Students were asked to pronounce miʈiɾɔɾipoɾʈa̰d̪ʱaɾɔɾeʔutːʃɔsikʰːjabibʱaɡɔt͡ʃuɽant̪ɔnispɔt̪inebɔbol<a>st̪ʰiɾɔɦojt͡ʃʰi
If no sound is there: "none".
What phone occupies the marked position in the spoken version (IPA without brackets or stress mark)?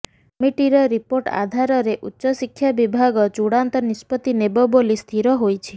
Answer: i